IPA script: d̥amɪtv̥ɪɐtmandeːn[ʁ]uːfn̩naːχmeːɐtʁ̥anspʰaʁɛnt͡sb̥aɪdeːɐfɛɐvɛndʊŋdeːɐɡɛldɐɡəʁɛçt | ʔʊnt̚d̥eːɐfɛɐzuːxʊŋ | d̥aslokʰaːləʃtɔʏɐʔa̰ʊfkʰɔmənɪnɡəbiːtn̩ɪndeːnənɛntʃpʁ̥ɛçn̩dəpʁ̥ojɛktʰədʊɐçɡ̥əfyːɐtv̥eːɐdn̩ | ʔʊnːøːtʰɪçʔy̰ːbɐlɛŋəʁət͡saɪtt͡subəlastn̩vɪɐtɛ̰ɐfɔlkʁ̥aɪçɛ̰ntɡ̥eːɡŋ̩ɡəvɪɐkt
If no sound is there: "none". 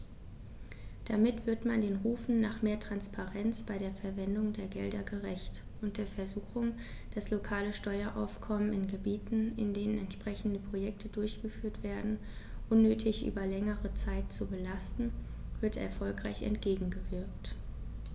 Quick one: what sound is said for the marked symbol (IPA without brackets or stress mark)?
ʁ